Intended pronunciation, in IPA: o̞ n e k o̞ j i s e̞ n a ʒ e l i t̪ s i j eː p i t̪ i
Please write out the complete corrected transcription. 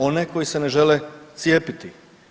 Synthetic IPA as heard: o̞ n e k o̞ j i s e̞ n e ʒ e l e t̪ s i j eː p i t̪ i